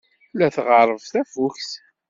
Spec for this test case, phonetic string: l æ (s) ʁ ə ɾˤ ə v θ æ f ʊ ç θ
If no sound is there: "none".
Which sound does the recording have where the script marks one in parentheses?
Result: θ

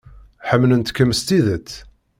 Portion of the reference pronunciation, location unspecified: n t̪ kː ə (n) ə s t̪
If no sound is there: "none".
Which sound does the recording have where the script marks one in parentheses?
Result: m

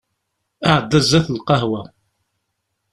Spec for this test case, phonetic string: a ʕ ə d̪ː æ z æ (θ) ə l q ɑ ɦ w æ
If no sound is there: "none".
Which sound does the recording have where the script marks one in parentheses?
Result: θ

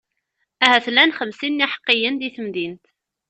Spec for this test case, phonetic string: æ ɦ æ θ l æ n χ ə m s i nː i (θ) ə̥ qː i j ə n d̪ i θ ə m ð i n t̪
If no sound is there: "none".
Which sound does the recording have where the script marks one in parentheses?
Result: ħ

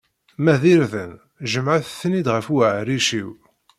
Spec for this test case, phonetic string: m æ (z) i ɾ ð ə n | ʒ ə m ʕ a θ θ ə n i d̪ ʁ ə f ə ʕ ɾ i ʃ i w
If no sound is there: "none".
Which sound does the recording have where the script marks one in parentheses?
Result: ð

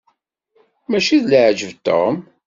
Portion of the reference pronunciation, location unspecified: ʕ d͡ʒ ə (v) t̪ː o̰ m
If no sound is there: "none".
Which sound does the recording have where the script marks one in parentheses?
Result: v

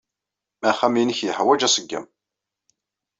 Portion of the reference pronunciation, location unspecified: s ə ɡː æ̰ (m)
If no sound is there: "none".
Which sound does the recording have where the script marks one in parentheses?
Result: m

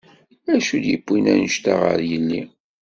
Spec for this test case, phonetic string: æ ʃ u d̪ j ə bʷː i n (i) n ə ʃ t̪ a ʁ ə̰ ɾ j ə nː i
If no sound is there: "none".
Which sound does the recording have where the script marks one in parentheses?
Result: æ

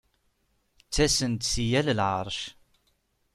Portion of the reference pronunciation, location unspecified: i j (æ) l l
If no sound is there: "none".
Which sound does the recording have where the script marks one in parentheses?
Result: æ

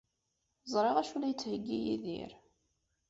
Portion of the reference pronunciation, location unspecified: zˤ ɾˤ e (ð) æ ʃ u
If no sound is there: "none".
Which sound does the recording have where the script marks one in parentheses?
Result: ʁ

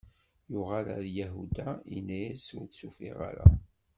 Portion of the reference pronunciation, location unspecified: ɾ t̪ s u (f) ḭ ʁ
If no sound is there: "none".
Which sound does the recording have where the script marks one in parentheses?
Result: f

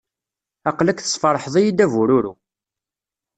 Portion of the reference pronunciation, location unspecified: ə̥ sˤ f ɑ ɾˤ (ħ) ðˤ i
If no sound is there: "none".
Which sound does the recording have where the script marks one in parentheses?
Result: ħ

